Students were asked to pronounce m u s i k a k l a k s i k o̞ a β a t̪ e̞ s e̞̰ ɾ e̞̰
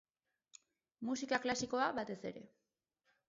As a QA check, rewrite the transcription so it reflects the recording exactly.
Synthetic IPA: m u s i k a k l a s i k o̞ a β a t̪ e̞ s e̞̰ ɾ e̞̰